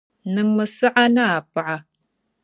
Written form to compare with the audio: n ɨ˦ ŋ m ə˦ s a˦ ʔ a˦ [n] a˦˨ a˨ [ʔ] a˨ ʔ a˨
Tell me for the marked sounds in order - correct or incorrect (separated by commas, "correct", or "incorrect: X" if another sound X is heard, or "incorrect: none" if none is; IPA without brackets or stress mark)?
correct, incorrect: p